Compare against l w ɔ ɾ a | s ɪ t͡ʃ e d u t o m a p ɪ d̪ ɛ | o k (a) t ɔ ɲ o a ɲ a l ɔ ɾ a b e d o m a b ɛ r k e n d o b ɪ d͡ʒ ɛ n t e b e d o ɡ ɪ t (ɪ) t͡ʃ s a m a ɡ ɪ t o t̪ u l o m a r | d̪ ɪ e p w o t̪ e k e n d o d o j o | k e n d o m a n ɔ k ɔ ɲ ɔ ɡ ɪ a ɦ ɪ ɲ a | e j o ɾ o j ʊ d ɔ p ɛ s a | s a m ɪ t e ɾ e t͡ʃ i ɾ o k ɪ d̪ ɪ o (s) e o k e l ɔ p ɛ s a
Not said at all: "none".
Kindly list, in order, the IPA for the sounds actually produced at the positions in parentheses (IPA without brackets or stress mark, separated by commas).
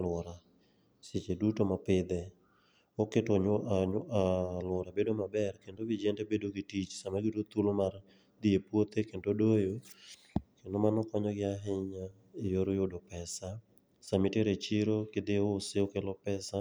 e, i, s